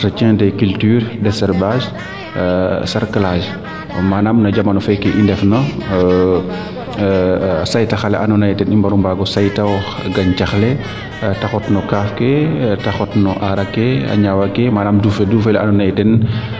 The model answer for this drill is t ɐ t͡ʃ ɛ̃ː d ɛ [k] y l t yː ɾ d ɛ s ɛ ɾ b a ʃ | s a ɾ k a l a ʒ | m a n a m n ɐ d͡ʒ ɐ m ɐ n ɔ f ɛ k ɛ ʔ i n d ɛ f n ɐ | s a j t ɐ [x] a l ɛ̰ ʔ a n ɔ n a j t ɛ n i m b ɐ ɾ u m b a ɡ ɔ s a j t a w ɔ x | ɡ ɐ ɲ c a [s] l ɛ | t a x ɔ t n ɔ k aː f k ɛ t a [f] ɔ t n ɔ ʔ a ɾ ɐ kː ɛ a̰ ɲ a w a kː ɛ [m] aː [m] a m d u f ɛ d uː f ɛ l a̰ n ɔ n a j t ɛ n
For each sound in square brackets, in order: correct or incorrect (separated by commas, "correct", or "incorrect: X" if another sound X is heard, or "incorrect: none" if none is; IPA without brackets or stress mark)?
correct, correct, incorrect: x, incorrect: x, correct, incorrect: n